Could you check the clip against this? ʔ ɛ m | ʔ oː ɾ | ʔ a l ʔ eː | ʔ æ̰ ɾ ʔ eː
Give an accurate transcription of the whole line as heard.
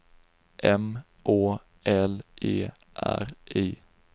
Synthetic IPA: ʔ ɛ m | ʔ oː | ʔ ɛ l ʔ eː | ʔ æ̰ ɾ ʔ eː